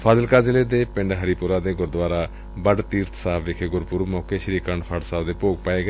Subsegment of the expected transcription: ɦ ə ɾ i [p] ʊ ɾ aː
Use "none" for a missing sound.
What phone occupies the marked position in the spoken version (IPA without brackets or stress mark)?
p